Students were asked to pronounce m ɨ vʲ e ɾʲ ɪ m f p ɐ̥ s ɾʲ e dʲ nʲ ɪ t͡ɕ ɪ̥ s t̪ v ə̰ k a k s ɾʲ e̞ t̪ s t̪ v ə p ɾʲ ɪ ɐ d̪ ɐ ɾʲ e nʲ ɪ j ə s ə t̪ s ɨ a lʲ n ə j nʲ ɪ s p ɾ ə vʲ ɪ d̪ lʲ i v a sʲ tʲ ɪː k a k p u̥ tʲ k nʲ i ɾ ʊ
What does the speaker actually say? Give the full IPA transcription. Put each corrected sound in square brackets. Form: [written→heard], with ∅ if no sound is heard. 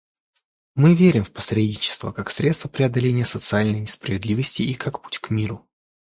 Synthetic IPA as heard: m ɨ vʲ e ɾʲ ɪ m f p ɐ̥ s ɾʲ e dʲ nʲ ɪ t͡ɕ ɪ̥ s t̪ v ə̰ k a k s ɾʲ e̞ t̪ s t̪ v ə p ɾʲ ɪ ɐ d̪ ɐ [ɾʲ→lʲ] e nʲ ɪ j ə s ə t̪ s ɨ a lʲ n ə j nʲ ɪ s p ɾ ə vʲ ɪ d̪ lʲ i v [a→ə] sʲ tʲ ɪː k a k p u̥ tʲ k [nʲ→mʲ] i ɾ ʊ